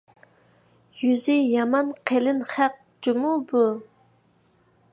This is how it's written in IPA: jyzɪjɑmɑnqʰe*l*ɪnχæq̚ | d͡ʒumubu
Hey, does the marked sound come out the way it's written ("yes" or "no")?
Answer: yes